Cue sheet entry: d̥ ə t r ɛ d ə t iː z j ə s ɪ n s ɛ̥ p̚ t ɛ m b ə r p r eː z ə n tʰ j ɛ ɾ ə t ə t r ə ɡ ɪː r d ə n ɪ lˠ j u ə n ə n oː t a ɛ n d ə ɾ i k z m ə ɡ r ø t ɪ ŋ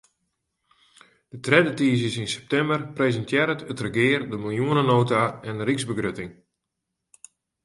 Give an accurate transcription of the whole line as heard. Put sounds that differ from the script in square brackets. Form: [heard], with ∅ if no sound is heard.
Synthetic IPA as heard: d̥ ə t r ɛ d ə t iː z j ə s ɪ n s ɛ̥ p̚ t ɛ m b ə r p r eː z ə n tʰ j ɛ ɾ ə t ə t r ə ɡ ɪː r d ə [m] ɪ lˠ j u ə n ə n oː t a ɛ n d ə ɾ i k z [b] ə ɡ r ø t ɪ ŋ